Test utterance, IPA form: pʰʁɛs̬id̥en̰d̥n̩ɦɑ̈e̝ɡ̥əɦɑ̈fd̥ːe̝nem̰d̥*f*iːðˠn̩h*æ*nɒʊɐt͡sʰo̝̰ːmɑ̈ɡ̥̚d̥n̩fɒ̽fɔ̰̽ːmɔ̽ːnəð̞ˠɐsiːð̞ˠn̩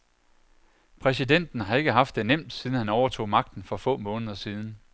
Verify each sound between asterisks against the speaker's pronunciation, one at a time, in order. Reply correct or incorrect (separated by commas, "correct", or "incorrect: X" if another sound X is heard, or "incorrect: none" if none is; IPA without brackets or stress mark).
incorrect: s, correct